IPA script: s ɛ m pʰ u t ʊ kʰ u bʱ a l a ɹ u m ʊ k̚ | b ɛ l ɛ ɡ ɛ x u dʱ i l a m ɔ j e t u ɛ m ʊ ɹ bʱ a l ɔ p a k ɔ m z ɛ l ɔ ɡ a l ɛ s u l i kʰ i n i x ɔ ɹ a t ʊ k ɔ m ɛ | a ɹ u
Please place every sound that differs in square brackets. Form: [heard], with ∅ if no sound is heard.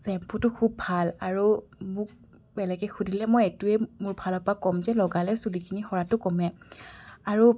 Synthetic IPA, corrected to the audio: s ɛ m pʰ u t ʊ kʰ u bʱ a l a ɹ u m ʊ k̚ | b ɛ l ɛ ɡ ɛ x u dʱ i l [ɛ] m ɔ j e t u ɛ m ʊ ɹ bʱ a l ɔ p a k ɔ m z ɛ l ɔ ɡ a l ɛ s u l i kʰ i n i x ɔ ɹ a t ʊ k ɔ m ɛ | a ɹ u